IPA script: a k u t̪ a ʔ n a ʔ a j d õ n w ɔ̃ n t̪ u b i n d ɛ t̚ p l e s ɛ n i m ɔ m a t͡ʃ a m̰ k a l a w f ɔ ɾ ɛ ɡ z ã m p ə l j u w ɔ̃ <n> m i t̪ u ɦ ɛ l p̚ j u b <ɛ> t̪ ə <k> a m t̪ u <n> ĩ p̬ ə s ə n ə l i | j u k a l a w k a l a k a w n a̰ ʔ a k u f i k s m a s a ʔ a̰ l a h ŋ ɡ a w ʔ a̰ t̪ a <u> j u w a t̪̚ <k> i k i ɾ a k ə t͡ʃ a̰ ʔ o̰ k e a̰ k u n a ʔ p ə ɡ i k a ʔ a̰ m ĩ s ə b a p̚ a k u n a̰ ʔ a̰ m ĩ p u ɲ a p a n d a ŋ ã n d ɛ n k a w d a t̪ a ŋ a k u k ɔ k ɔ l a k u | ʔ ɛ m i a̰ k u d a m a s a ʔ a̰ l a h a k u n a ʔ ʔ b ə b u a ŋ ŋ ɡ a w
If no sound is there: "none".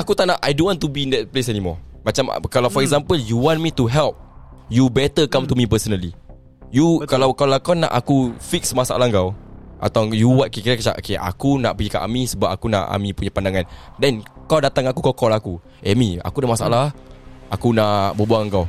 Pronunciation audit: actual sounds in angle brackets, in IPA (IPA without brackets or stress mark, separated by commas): n, ɛ, k, m, w, k